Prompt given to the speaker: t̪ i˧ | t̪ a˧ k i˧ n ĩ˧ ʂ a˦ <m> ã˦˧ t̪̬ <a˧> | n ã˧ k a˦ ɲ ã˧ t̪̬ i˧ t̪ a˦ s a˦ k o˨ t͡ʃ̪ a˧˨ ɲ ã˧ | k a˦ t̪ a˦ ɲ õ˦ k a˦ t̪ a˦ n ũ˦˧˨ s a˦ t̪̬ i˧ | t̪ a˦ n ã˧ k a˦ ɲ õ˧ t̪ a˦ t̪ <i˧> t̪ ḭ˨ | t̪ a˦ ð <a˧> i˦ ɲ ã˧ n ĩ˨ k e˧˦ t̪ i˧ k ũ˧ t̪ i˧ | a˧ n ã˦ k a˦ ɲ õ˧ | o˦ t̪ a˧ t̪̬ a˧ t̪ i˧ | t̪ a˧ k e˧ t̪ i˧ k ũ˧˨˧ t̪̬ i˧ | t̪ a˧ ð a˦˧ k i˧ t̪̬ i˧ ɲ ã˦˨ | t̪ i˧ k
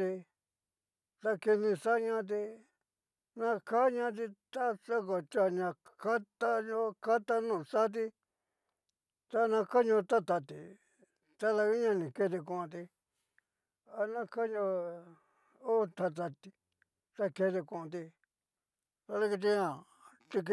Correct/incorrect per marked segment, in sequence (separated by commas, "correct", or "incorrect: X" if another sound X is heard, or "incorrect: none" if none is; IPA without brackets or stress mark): incorrect: ɲ, incorrect: i˧, incorrect: a˧, correct